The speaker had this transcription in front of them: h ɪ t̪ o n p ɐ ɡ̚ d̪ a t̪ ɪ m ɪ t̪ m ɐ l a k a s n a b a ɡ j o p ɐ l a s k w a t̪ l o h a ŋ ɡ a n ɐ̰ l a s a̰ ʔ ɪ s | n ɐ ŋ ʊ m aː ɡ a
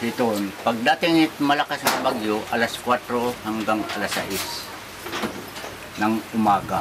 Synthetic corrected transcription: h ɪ t̪ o n p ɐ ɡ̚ d̪ a t̪ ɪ ŋ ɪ t̪ m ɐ l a k a s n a b a ɡ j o ʔ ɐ l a s k w a t̪ ɾ o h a ŋ ɡ a ŋ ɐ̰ l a s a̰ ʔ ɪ s | n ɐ ŋ ʊ m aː ɡ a